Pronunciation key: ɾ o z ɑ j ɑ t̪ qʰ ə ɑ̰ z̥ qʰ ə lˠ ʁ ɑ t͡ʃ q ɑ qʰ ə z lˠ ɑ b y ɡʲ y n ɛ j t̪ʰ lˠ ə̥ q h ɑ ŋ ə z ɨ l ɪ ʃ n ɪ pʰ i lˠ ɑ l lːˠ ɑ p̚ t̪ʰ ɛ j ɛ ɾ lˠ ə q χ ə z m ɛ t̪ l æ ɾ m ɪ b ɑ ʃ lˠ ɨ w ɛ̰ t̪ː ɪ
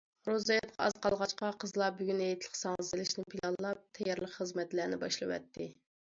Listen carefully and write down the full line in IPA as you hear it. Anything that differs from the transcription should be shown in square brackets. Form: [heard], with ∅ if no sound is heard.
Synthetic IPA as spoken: ɾ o z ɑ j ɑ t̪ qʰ [ɑ] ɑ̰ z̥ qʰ [ɑ] lˠ ʁ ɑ t͡ʃ q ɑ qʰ ə z lˠ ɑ b y ɡʲ y n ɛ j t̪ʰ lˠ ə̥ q [s] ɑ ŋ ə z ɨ l ɪ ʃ n ɪ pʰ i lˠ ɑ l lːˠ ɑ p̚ t̪ʰ ɛ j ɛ ɾ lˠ ə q χ ə z m ɛ t̪ l æ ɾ [n] ɪ b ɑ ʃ lˠ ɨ w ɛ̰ t̪ː ɪ